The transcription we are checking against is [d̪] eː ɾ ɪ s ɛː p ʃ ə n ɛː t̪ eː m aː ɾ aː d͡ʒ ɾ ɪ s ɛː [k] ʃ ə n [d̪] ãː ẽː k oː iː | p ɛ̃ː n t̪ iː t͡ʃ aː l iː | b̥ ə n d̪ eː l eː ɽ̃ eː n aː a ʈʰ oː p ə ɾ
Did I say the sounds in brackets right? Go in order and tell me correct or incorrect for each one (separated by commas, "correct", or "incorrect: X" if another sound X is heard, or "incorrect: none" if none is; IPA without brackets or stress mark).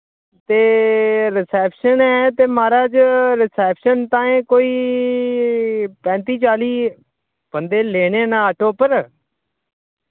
incorrect: t̪, incorrect: p, incorrect: t̪